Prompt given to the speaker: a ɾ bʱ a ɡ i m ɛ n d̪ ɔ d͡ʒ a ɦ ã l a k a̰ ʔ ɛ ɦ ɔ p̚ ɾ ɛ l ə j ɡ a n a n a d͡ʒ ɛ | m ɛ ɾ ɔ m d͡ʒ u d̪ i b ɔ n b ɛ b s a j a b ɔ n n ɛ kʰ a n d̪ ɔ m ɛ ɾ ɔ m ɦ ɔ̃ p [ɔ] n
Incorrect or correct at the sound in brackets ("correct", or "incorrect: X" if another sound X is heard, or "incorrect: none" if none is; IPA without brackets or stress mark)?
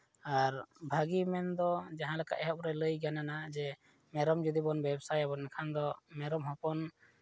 correct